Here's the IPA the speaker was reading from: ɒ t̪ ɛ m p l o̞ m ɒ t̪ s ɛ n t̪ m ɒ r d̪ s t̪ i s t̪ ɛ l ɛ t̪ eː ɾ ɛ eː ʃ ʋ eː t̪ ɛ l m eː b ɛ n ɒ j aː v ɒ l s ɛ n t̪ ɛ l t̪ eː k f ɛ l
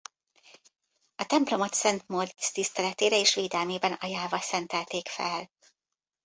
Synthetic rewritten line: ɒ t̪ ɛ m p l o̞ m ɒ t̪ s ɛ n t̪ m o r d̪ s t̪ i s t̪ ɛ l ɛ t̪ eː ɾ ɛ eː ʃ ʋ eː d̪ ɛ l m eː b ɛ n ɒ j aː v ɒ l s ɛ n t̪ ɛ l t̪ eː k f ɛ l